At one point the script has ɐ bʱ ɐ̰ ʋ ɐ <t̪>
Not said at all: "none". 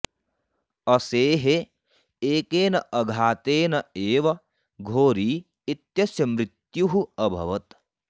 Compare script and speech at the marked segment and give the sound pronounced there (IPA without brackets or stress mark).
t̪